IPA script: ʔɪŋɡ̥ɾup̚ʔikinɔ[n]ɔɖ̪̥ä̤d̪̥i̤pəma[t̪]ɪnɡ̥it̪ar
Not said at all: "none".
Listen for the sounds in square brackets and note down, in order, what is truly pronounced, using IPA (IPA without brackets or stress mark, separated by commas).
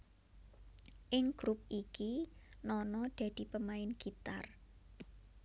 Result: n, none